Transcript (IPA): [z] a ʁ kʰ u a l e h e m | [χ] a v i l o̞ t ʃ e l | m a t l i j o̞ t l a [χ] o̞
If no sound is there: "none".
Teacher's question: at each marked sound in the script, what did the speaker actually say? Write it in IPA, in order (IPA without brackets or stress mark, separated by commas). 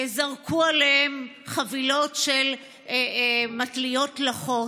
z, χ, χ